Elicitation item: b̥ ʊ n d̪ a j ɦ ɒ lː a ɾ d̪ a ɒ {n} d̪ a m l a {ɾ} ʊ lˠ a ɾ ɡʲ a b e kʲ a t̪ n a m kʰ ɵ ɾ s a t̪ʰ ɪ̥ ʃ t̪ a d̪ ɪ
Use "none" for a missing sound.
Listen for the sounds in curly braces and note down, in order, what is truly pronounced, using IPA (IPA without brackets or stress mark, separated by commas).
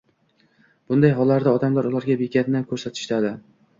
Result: none, ɾ